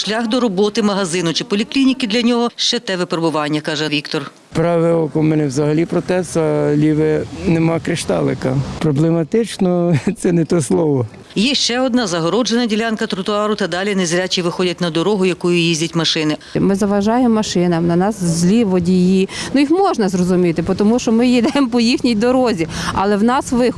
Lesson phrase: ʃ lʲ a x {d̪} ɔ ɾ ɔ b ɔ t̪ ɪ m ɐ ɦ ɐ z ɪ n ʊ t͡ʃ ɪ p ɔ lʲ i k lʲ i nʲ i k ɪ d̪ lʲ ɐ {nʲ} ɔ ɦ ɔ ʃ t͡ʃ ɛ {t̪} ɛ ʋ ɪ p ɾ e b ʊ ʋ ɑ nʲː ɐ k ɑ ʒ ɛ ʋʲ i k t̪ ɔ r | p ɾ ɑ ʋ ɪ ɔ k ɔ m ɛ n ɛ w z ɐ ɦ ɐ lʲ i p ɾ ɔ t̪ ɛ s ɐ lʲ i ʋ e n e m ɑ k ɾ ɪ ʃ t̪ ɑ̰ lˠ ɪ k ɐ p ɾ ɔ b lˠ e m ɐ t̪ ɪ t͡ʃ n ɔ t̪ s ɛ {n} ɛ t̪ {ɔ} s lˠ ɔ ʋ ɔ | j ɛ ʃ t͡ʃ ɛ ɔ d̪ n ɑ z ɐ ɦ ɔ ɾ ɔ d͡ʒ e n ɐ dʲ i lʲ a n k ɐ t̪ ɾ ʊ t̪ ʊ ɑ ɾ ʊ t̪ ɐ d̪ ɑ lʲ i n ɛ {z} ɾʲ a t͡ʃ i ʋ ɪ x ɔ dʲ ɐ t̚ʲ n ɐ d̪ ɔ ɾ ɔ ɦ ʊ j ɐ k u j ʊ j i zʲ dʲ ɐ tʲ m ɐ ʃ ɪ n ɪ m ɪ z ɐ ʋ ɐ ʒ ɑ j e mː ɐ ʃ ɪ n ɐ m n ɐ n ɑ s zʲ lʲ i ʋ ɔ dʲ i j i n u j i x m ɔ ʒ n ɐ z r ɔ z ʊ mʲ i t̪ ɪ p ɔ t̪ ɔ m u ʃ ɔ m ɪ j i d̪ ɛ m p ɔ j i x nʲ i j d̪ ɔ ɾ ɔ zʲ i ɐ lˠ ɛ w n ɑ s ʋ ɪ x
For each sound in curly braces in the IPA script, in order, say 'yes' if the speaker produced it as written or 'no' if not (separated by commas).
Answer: yes, yes, yes, yes, yes, yes